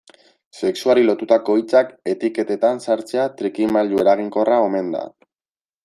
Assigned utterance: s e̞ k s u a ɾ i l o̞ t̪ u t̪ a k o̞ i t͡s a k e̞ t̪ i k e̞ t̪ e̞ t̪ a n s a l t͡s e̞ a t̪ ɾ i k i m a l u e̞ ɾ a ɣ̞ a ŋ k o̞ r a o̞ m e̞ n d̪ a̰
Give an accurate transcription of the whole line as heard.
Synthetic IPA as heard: s e̞ k s u a ɾ i l o̞ t̪ u t̪ a k o̞ i t͡s a k e̞ t̪ i k e̞ t̪ e̞ t̪ a n s a ɾ t͡s e̞ a t̪ ɾ i k i m a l u e̞ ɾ a ɣ̞ i ŋ k o̞ r a o̞ m e̞ n d̪ a̰